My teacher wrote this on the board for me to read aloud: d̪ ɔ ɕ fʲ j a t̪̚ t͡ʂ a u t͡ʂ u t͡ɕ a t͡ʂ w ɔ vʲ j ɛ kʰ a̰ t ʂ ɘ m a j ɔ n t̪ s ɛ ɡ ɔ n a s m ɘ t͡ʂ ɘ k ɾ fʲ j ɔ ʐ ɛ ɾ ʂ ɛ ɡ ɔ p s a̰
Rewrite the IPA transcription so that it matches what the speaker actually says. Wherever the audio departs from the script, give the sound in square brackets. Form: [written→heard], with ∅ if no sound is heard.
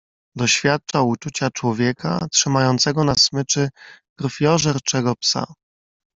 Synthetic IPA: d̪ ɔ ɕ fʲ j a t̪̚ t͡ʂ a u t͡ʂ u t͡ɕ a t͡ʂ w ɔ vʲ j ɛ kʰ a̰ t ʂ ɘ m a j ɔ n t̪ s ɛ ɡ ɔ n a s m ɘ t͡ʂ ɘ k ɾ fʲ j ɔ ʐ ɛ ɾ [ʂ→t͡ʂ] ɛ ɡ ɔ p s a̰